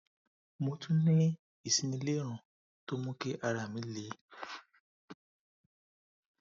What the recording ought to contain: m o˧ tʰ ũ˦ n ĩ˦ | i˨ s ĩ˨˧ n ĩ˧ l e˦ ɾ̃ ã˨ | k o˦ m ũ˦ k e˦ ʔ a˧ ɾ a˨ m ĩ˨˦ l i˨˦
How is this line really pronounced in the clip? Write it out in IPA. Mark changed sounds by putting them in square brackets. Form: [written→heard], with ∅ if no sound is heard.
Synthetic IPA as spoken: m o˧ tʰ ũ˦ n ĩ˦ | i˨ s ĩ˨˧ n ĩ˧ l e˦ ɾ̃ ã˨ | [k→t] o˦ m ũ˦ k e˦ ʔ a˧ ɾ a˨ m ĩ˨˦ l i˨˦